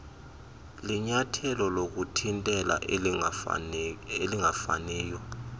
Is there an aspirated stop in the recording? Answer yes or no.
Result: yes